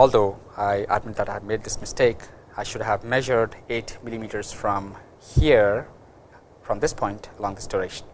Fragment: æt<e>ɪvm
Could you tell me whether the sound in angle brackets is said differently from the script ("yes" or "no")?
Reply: yes